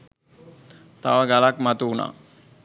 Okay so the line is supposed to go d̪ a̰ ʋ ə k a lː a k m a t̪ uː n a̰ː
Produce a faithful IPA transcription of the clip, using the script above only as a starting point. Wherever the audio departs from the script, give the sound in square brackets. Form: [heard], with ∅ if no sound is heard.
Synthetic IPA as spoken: [t̪] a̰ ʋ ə [ɡ] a [l] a k m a t̪ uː n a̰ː

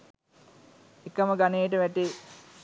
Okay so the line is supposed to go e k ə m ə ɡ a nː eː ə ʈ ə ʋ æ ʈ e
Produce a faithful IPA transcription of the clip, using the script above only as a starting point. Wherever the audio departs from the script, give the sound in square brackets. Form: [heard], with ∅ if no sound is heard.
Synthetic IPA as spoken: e k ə m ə ɡ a [n] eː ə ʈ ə ʋ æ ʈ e

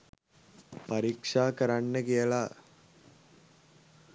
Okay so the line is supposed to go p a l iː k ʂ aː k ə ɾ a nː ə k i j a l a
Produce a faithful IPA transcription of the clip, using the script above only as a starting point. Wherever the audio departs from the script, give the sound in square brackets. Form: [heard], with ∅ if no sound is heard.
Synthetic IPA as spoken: p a [ɾ] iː k ʂ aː k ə ɾ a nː ə k i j [ə] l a

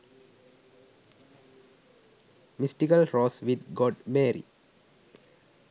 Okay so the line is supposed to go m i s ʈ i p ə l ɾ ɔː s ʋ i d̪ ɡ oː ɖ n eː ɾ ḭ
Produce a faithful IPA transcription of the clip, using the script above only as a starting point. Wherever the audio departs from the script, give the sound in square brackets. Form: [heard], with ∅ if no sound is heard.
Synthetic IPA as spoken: m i s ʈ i [k] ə l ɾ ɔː s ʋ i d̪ ɡ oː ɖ [m] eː ɾ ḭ

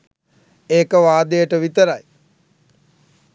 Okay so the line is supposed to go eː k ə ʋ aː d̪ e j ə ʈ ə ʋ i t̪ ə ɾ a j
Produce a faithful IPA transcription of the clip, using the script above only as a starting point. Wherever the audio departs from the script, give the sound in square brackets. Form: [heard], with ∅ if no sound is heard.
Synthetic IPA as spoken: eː k ə ʋ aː d̪ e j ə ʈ ə ʋ i t̪ ə ɾ a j

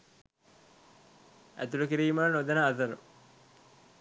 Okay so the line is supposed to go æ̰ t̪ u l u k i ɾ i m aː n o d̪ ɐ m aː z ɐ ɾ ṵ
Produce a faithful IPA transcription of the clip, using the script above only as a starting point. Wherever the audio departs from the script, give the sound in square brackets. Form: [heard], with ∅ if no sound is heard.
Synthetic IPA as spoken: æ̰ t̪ u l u k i ɾ [iː] m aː n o d̪ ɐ [n] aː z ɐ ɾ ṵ

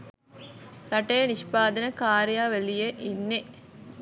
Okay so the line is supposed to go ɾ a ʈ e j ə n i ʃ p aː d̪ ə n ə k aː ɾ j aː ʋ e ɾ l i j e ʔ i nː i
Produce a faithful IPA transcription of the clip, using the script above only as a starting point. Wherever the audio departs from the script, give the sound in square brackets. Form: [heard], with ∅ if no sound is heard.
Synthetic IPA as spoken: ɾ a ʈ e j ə n i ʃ p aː d̪ ə n ə k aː ɾ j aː ʋ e [∅] l i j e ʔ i nː [e]

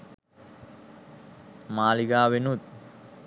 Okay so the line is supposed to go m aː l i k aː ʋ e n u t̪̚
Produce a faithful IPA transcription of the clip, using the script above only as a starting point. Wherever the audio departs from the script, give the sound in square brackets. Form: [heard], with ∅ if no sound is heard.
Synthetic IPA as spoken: m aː l i [ɡ] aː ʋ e n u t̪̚

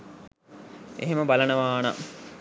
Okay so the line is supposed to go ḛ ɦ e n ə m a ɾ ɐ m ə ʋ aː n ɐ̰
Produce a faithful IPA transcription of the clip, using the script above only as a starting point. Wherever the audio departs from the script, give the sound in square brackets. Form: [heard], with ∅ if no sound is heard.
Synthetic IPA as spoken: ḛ ɦ e [m] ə [b] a [l] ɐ [n] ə ʋ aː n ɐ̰

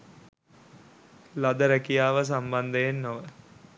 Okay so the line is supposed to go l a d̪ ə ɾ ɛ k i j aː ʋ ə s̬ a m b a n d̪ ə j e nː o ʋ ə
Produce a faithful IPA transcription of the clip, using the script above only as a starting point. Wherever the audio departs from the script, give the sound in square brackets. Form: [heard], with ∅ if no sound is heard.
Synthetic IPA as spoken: l a d̪ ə ɾ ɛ k i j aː ʋ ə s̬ a m b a n d̪ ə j e nː o ʋ ə

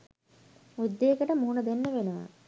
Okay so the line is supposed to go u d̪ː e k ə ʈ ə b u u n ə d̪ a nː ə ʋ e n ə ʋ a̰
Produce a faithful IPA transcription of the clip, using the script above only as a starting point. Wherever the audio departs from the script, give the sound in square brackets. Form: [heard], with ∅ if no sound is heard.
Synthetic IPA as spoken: u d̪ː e k ə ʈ ə [m] u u n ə d̪ [e] nː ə ʋ e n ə ʋ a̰

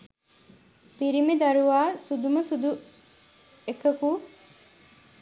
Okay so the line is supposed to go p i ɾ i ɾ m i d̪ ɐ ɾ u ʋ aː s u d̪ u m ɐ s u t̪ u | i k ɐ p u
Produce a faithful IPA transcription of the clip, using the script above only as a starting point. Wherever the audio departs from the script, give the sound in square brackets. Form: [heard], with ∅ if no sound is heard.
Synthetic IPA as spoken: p i ɾ i [∅] m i d̪ ɐ ɾ u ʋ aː s u d̪ u m ɐ s u [d̪] u | [e] k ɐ [k] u

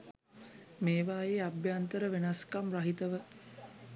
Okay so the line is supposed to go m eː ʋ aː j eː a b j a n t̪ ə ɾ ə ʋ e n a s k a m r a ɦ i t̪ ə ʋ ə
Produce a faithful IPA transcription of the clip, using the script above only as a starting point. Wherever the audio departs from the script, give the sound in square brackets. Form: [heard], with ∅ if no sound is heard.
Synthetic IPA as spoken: m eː ʋ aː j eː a b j a n t̪ ə ɾ ə ʋ e n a s k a m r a ɦ i t̪ ə ʋ ə

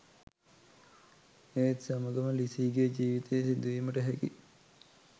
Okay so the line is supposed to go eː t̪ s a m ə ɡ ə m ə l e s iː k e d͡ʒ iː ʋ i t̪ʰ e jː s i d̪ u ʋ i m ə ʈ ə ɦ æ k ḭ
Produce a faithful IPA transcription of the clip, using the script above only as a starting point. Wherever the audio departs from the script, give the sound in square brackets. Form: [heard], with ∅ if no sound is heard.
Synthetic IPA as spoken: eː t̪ s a m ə ɡ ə m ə l [i] s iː [ɡ] e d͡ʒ iː ʋ i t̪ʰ e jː s i d̪ u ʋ i m ə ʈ ə ɦ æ k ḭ

